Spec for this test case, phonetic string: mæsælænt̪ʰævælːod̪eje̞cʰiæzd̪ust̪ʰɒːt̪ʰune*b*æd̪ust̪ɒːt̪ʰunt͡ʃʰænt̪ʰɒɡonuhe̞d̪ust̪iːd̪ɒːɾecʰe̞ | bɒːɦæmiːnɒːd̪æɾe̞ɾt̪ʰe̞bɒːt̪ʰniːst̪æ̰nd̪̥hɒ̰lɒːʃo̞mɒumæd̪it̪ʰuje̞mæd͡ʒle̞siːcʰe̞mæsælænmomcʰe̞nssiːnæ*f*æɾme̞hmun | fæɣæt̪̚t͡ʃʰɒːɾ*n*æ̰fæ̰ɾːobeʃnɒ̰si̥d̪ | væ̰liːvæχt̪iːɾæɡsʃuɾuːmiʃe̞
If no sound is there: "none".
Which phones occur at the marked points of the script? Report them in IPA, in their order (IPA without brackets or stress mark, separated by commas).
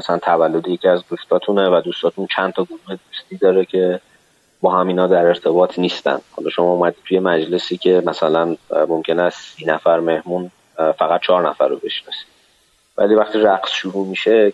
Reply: v, f, n